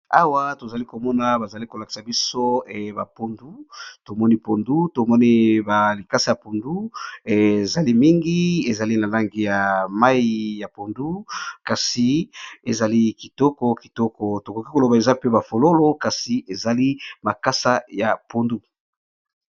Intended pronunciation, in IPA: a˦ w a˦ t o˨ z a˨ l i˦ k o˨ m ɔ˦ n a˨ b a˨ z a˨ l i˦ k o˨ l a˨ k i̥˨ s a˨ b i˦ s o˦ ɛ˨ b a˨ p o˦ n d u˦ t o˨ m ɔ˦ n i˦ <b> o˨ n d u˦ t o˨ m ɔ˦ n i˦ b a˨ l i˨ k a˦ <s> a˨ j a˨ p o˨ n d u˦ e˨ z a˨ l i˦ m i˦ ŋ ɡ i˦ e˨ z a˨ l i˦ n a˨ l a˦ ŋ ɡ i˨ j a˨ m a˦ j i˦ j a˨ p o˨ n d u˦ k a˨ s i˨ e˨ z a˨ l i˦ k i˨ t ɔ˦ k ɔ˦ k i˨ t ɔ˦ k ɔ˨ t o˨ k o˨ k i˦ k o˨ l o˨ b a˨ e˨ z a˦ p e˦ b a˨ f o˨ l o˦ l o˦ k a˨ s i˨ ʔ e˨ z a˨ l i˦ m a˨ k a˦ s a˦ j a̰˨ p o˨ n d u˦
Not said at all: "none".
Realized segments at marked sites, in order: p, s

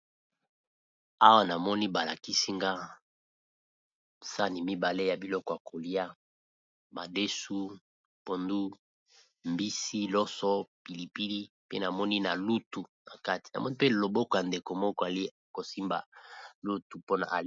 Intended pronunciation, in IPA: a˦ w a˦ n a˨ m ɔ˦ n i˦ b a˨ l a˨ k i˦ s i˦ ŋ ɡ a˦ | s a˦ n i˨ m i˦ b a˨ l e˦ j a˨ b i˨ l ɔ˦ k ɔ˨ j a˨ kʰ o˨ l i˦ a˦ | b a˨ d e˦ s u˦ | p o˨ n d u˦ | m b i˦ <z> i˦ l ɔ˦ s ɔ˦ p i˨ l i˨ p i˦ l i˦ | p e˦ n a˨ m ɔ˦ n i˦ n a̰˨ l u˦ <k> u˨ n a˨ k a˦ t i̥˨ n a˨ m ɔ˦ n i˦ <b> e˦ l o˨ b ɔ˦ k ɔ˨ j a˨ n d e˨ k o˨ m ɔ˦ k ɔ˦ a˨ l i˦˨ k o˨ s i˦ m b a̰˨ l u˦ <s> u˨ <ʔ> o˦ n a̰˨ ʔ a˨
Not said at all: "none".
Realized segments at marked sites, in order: s, t, p, t, p

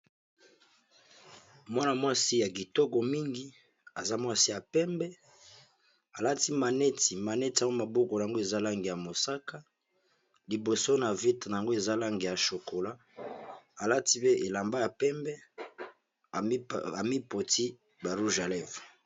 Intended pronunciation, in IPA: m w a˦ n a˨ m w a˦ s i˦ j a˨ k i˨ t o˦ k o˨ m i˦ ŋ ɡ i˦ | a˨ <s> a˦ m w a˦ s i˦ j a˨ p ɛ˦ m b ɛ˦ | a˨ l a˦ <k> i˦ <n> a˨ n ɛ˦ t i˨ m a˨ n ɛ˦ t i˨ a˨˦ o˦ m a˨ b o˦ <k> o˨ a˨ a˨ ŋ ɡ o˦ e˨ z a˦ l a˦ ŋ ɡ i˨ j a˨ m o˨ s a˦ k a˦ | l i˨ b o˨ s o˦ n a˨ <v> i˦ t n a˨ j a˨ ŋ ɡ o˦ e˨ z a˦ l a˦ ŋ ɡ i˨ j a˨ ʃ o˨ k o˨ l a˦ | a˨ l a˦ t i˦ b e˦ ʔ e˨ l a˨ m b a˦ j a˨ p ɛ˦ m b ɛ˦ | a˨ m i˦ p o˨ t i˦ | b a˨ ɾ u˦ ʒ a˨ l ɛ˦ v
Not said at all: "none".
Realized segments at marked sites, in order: z, t, m, k, v

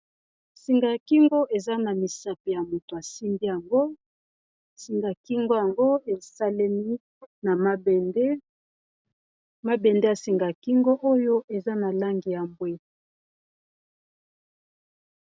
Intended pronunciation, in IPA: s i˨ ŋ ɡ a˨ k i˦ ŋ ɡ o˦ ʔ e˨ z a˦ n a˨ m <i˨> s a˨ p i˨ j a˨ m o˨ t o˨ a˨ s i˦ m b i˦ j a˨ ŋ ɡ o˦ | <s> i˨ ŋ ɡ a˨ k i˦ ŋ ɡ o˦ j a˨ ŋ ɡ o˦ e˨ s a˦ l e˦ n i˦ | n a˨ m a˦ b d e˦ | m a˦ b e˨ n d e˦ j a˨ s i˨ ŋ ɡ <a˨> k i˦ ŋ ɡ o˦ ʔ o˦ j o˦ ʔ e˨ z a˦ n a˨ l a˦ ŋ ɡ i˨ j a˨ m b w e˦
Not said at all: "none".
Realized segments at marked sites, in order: i˨, s, a˨

